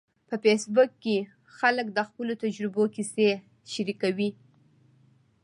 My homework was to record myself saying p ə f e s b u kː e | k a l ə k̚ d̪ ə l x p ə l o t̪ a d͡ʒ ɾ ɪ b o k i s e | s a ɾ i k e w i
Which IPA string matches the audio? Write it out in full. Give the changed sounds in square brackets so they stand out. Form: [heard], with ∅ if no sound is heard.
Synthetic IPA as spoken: p ə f e s b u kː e | [x] a l ə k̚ d̪ ə [∅] x p ə l o t̪ a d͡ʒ ɾ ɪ b o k i s e | [ʃ] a ɾ i k [a] w i